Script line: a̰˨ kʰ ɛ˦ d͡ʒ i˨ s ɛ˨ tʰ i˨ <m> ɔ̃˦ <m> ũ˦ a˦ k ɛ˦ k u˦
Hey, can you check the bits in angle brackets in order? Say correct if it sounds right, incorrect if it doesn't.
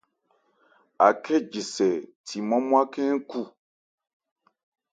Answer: correct, correct

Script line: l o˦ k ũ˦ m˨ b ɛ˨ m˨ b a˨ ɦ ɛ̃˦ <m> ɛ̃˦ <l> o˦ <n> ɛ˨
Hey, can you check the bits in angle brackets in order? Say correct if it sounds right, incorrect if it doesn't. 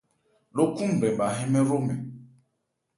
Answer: correct, incorrect: ɾ, incorrect: m

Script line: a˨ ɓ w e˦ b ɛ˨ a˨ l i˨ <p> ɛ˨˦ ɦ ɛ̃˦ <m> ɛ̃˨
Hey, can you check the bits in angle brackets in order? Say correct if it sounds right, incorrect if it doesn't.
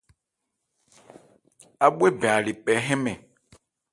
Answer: correct, correct

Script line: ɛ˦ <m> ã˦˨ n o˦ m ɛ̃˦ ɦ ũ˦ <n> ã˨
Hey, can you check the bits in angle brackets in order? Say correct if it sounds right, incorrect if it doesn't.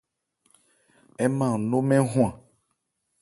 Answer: correct, incorrect: none

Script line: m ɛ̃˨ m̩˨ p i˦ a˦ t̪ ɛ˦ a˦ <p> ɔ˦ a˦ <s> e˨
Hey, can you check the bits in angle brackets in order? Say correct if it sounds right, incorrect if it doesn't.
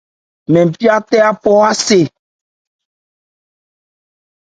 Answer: correct, correct

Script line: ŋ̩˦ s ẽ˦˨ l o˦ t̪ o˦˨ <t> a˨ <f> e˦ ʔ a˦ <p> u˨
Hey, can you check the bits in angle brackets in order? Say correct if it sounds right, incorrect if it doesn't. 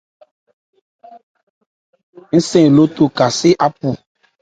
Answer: incorrect: k, incorrect: s, correct

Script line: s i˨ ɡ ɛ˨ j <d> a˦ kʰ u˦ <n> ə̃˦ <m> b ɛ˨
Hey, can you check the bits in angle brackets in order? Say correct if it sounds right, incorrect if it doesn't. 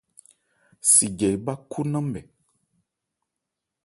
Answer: incorrect: b, correct, correct

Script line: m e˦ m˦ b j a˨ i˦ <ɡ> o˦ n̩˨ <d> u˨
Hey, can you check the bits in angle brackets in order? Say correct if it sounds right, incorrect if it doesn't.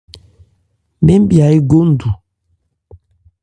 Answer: correct, correct

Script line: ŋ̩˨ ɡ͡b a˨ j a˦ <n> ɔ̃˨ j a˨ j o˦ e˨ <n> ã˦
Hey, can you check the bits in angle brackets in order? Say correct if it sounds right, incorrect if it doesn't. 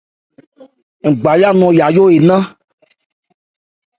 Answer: correct, correct

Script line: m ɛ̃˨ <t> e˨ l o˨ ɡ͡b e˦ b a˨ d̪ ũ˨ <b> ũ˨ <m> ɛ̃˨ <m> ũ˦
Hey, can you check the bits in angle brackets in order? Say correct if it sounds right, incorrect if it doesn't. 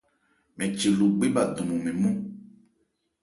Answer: incorrect: t͡ʃ, incorrect: m, correct, correct

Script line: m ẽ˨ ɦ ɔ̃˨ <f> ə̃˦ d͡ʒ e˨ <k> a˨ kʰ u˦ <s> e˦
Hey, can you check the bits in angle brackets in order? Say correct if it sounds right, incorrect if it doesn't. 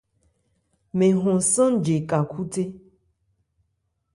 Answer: incorrect: s, correct, incorrect: t

